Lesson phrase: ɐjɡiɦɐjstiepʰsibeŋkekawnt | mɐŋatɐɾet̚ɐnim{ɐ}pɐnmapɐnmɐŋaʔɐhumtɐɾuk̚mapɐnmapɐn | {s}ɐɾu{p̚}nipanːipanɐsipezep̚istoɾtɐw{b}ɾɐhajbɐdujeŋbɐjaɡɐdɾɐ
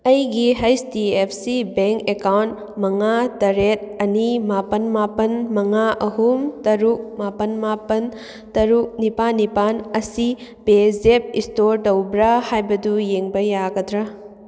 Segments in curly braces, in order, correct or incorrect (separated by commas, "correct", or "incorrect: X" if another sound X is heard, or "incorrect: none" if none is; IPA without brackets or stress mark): incorrect: a, incorrect: t, incorrect: k̚, correct